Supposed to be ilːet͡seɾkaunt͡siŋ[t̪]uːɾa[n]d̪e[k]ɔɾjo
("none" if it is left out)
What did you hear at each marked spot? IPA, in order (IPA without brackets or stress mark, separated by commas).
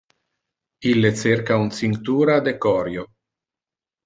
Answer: t̪, none, k